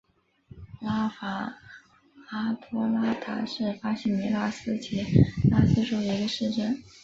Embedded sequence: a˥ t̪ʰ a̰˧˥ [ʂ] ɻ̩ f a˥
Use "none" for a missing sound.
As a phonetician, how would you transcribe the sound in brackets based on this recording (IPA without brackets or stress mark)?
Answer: ʂ